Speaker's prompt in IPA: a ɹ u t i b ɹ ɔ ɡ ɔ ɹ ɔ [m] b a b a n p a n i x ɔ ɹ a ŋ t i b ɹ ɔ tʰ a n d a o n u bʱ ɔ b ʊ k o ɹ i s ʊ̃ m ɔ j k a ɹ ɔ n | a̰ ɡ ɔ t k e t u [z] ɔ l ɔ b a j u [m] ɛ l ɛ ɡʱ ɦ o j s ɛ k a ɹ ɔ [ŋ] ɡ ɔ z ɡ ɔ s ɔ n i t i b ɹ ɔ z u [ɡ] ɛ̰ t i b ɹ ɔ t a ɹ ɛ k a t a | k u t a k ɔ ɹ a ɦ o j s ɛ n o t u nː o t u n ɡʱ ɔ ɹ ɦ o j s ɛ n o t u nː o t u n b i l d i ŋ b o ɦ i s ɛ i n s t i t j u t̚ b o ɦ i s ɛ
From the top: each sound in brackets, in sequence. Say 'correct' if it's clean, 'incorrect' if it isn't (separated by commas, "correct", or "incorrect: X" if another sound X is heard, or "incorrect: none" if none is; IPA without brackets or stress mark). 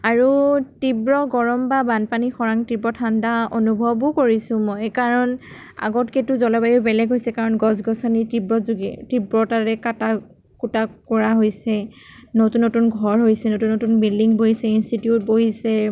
correct, correct, incorrect: b, incorrect: n, correct